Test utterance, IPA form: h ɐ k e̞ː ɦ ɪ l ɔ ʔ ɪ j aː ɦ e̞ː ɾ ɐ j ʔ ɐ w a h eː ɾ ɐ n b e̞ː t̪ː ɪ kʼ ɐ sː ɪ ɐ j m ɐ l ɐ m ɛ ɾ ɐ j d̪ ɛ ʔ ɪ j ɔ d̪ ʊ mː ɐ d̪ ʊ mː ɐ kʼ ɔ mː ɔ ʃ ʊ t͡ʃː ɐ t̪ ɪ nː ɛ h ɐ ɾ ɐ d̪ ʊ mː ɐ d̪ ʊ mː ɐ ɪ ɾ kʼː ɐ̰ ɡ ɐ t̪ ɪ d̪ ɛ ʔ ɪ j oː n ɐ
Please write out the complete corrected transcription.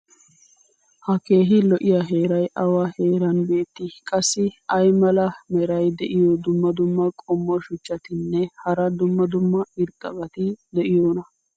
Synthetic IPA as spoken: h ɐ k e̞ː ɦ ɪ l ɔ ʔ ɪ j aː ɦ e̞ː ɾ ɐ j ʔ ɐ w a h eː ɾ ɐ n b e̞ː t̪ː ɪ kʼ ɐ sː ɪ ɐ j m ɐ l ɐ m ɛ ɾ ɐ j d̪ ɛ ʔ ɪ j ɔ d̪ ʊ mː ɐ d̪ ʊ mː ɐ kʼ ɔ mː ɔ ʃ ʊ t͡ʃː ɐ t̪ ɪ nː ɛ h ɐ ɾ ɐ d̪ ʊ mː ɐ d̪ ʊ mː ɐ ɪ ɾ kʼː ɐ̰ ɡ ɐ t̪ ɪ d̪ ɛ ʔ ɪ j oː n ɐ